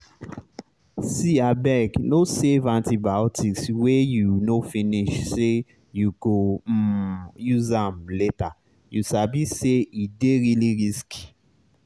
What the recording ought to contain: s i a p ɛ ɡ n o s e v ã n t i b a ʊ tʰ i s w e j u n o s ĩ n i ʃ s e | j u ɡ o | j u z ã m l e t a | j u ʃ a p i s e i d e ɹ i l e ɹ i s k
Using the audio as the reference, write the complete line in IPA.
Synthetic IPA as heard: s i a b ɛ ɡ n o s e v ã n t i b a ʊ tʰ i s w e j u n o f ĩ n i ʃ s e | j u ɡ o | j u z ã m l e t a | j u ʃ a b i s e i d e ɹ i l i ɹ i s k